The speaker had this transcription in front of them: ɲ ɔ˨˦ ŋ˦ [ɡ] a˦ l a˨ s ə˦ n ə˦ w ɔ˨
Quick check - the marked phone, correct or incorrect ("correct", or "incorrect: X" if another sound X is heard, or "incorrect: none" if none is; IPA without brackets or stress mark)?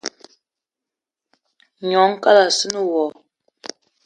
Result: incorrect: k